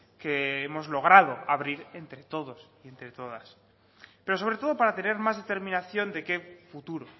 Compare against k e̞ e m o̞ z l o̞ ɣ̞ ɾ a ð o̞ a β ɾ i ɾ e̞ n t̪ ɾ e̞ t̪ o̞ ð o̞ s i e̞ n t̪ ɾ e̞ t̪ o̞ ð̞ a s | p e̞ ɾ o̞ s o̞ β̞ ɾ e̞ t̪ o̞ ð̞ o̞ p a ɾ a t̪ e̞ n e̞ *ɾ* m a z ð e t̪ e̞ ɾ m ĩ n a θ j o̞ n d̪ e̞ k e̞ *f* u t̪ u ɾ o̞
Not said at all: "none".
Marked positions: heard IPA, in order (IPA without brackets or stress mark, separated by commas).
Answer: ɾ, f